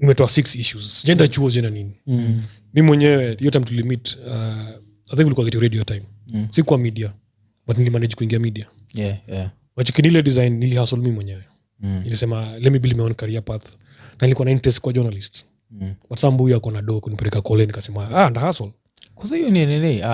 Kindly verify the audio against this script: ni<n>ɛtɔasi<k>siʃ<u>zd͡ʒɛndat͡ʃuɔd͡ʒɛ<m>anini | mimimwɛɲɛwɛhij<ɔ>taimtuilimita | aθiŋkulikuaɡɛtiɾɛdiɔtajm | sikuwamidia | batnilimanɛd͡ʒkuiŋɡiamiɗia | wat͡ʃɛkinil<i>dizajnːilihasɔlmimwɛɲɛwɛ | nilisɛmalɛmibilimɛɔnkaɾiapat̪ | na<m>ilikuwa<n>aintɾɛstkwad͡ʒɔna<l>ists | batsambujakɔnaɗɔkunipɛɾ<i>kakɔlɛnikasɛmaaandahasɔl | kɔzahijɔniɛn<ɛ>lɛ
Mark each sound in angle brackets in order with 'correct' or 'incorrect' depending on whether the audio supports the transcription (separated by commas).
incorrect, correct, correct, incorrect, correct, incorrect, incorrect, correct, correct, incorrect, correct